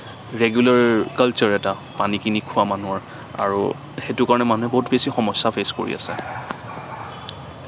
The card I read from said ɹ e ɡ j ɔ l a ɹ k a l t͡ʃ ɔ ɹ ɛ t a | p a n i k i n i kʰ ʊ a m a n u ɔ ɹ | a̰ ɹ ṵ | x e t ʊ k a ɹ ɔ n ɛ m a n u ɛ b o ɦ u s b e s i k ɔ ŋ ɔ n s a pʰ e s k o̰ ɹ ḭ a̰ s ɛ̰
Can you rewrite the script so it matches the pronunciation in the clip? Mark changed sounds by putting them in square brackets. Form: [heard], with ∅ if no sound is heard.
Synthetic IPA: ɹ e ɡ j [u] l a ɹ k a l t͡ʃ ɔ ɹ ɛ t a | p a n i k i n i kʰ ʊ a m a n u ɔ ɹ | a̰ ɹ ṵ | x e t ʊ k a ɹ ɔ n ɛ m a n u ɛ b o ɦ u [t] b e s i [x] ɔ [m] ɔ [∅] s a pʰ e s k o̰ ɹ ḭ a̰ s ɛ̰

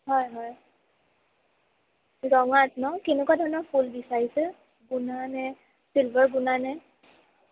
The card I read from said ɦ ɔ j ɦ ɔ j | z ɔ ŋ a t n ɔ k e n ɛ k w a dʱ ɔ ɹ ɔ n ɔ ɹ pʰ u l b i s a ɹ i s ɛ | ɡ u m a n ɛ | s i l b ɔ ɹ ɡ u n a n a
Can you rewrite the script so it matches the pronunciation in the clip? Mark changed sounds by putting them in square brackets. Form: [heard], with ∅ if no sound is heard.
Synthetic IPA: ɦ ɔ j ɦ ɔ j | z ɔ ŋ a t n ɔ k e n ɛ k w a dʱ ɔ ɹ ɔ n ɔ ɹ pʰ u l b i s a ɹ i s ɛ | ɡ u [n] a n ɛ | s i l b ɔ ɹ ɡ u n a n [ɛ]

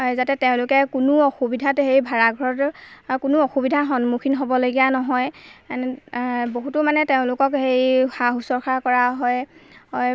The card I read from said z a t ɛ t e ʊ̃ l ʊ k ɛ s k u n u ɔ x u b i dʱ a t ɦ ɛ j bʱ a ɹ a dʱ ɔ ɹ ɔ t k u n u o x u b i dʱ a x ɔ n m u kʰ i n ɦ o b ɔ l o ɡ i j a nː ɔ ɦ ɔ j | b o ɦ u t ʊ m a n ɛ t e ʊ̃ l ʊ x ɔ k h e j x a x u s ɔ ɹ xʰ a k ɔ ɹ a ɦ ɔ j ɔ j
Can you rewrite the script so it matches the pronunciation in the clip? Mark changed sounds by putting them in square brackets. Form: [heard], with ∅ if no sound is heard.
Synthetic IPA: z a t ɛ t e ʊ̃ l ʊ k ɛ [∅] k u n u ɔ x u b i dʱ a t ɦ [e] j bʱ a ɹ a [ɡʱ] ɔ ɹ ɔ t k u n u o x u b i dʱ a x ɔ n m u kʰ i n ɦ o b ɔ l o ɡ i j a [n] ɔ ɦ ɔ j | b o ɦ u t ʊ m a n ɛ t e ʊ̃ l ʊ [k] ɔ k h e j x a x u s ɔ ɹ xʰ a k ɔ ɹ a ɦ ɔ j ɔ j

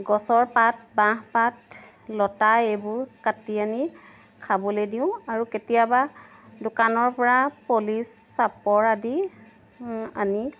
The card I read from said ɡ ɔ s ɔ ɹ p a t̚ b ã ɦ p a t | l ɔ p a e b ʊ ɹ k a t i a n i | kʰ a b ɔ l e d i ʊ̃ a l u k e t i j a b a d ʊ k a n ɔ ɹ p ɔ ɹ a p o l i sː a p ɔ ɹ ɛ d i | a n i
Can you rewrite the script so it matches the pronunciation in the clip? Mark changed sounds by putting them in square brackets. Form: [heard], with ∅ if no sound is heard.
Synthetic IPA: ɡ ɔ s ɔ ɹ p a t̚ b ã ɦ p a t | l ɔ [t] a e b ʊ ɹ k a t i a n i | kʰ a b ɔ l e d i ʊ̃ a [ɹ] u k e t i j a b a d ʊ k a n ɔ ɹ p ɔ ɹ a p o l i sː a p ɔ ɹ [a] d i | a n i

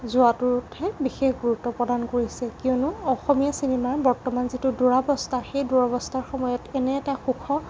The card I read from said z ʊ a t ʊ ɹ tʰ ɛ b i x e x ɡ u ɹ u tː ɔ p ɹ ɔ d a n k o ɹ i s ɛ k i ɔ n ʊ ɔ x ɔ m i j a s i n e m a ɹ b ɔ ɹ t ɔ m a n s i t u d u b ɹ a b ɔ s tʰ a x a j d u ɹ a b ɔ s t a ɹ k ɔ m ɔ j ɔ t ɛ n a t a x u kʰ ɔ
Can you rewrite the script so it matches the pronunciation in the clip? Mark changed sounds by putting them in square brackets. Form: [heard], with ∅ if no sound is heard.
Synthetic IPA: z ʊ a t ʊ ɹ tʰ ɛ b i x e x ɡ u ɹ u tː ɔ p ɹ ɔ d a n k o ɹ i s ɛ k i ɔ n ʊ ɔ x ɔ m i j a s i n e m a ɹ b ɔ ɹ t ɔ m a n [z] i t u d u [∅] ɹ a b ɔ s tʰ a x [e] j d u ɹ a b ɔ s t a ɹ [x] ɔ m ɔ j ɔ t ɛ n [ɛ] t a x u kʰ ɔ

